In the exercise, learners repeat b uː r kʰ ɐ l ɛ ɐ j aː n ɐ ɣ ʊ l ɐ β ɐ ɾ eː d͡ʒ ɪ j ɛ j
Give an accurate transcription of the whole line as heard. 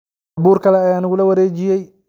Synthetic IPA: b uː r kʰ ɐ l ɛ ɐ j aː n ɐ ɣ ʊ l ɐ w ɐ ɾ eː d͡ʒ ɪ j ɛ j

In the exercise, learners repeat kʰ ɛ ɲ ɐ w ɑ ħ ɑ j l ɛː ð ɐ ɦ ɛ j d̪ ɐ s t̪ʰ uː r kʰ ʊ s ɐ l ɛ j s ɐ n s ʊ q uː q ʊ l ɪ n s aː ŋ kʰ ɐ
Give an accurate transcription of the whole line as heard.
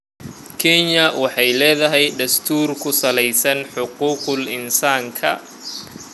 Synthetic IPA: kʰ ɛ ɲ ɐ w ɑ ħ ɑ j l ɛː ð ɐ ɦ ɛ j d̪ ɐ s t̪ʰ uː r kʰ ʊ s ɐ l ɛ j s ɐ n ħ ʊ q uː q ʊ l ɪ n s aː ŋ kʰ ɐ

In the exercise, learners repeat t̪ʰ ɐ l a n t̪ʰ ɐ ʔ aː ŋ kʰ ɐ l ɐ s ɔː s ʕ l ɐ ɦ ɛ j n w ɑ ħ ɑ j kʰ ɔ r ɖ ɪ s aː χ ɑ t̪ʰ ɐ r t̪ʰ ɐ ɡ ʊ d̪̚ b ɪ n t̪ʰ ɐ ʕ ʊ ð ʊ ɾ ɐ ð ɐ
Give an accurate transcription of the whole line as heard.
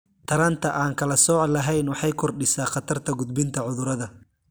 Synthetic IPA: t̪ʰ ɐ ɾ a n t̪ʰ ɐ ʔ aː ŋ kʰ ɐ l ɐ s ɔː ʕ l ɐ ɦ ɛ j n w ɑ ħ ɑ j kʰ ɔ r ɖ ɪ s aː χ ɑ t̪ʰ ɐ r t̪ʰ ɐ ɡ ʊ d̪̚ b ɪ n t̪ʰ ɐ ʕ ʊ ð ʊ ɾ ɐ ð ɐ

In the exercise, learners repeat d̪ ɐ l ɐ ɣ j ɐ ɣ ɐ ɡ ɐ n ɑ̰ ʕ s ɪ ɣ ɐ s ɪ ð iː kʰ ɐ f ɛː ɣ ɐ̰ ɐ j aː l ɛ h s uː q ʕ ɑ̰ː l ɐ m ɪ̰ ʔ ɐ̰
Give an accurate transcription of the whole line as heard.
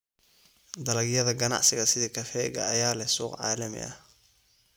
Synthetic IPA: d̪ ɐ l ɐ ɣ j ɐ ð ɐ ɡ ɐ n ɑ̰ ʕ s ɪ ɣ ɐ s ɪ ð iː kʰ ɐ f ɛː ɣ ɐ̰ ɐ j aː l ɛ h s uː q ʕ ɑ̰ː l ɐ m ɪ̰ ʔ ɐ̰

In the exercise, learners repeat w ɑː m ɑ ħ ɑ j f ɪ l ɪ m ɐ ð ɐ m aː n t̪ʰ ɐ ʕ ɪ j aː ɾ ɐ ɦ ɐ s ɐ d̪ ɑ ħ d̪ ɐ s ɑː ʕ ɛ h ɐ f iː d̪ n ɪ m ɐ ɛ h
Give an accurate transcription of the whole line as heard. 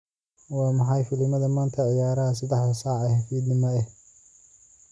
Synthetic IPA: w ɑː m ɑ ħ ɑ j f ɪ l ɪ m ɐ ð ɐ m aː n t̪ʰ ɐ ʕ ɪ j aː ɾ ɐ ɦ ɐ s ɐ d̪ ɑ ħ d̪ ɐ s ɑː ʕ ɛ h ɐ f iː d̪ n ɪ m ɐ ɛ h

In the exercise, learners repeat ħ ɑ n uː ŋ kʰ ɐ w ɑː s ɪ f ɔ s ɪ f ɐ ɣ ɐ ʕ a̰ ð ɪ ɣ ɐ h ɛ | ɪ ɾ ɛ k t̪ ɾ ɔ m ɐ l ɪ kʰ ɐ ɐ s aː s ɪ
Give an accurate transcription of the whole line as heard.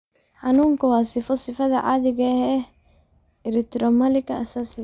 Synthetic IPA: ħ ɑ n uː ŋ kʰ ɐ w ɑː s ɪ f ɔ s ɪ f ɐ ð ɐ ʕ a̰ ð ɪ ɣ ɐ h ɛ | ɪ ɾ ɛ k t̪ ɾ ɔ m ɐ l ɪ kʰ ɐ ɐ s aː s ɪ

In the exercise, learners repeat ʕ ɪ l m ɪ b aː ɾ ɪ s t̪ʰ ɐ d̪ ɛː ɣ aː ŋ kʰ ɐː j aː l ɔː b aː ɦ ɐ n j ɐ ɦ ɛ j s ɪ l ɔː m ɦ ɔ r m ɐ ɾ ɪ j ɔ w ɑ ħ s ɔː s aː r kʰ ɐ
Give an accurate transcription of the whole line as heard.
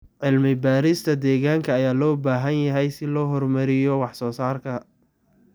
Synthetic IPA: ʕ ɪ l m ɪ b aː ɾ ɪ s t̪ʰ ɐ d̪ ɛː ɣ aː ŋ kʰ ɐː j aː l ɔː b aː ɦ ɐ n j ɐ ɦ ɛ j s ɪ l ɔː ɦ ɔ r m ɐ ɾ ɪ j ɔ w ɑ ħ s ɔː s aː r kʰ ɐ

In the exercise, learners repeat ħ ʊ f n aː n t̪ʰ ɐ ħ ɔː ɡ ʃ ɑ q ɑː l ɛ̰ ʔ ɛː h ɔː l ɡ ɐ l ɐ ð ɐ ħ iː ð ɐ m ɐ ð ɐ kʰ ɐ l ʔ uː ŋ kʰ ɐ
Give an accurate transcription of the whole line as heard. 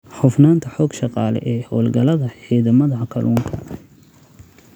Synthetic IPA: ħ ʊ f n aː n t̪ʰ ɐ ħ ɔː ɡ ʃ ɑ q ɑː l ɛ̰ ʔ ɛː h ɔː l ɡ ɐ l ɐ ð ɐ ħ iː ð ɐ m ɐ ð ɐ kʰ ɐ l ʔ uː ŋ kʰ ɐ

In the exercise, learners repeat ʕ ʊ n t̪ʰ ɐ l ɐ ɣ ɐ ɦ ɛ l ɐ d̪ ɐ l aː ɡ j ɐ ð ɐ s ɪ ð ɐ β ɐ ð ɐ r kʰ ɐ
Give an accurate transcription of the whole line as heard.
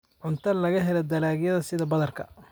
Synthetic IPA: ʕ ʊ n t̪ʰ ɐ l ɐ ɣ ɐ ɦ ɛ l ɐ d̪ ɐ l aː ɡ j ɐ ð ɐ s ɪ ð ɐ b ɐ ð ɐ r kʰ ɐ

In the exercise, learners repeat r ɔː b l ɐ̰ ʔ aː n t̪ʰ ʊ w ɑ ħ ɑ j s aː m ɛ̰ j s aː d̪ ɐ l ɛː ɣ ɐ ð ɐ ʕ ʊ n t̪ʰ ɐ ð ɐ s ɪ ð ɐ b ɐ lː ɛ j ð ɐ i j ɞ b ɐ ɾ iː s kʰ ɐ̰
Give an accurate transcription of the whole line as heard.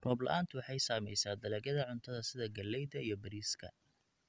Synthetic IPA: r ɔː b l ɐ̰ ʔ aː n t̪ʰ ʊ w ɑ ħ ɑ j s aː m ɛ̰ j s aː d̪ ɐ l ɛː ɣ ɐ ð ɐ ʕ ʊ n t̪ʰ ɐ ð ɐ s ɪ ð ɐ ɡ ɐ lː ɛ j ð ɐ i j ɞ b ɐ ɾ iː s kʰ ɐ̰

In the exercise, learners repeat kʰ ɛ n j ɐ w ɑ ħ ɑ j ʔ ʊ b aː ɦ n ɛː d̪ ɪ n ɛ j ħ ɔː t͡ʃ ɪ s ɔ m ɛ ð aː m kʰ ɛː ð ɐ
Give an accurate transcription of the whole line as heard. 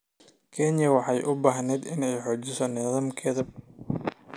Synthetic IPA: kʰ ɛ n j ɐ w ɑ ħ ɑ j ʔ ʊ b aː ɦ n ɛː d̪ ɪ n ɛ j ħ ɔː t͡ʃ ɪ s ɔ n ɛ ð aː m kʰ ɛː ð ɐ

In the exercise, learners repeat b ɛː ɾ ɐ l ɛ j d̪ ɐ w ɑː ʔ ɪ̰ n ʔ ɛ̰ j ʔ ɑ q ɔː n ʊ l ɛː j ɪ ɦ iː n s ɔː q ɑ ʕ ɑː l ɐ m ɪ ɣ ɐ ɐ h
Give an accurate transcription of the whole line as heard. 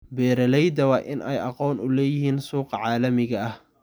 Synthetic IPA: b ɛː ɾ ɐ l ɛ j d̪ ɐ w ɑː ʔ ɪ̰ n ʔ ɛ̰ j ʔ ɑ q ɔː n ʊ l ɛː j ɪ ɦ iː n s uː q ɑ ʕ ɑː l ɐ m ɪ ɣ ɐ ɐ h

